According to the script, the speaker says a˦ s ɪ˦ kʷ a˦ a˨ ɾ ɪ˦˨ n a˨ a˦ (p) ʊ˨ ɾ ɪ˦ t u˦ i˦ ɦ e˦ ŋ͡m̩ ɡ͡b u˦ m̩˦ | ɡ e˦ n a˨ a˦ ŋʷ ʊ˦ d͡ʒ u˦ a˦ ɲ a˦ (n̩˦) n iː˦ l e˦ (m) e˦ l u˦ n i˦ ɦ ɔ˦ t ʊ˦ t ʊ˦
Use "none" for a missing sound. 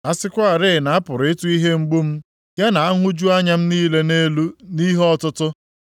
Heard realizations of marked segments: p, m̩˦, n

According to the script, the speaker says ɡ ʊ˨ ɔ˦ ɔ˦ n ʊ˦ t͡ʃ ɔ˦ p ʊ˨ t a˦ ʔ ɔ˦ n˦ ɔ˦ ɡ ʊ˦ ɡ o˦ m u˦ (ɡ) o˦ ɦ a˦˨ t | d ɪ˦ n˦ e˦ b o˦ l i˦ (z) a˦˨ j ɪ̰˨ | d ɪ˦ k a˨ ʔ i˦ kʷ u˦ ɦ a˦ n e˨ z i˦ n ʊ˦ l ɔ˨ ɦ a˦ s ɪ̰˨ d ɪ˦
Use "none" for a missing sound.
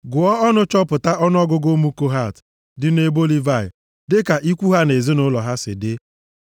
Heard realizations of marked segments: k, v

